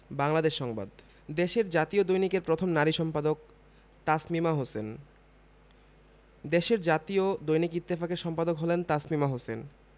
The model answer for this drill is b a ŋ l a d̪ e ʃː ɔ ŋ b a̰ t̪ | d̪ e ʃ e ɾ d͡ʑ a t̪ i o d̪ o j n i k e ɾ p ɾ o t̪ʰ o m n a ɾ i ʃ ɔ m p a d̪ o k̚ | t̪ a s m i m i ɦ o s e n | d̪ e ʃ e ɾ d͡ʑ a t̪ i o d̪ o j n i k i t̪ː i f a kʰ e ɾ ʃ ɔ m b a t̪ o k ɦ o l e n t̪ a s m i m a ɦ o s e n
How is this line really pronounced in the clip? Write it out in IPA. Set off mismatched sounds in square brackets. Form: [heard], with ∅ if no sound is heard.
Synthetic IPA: b a ŋ l a d̪ e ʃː ɔ ŋ b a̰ [d̪] | d̪ e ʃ e ɾ d͡ʑ a t̪ i o d̪ o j n i k e ɾ p ɾ o t̪ʰ o m n a ɾ i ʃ ɔ m p a d̪ o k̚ | t̪ a s m i m [a] ɦ o s e n | d̪ e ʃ e ɾ d͡ʑ a t̪ i o d̪ o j n i k i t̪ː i f a [k] e ɾ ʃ ɔ m [p] a [d̪] o k ɦ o l e n t̪ a s m i m a ɦ o s e n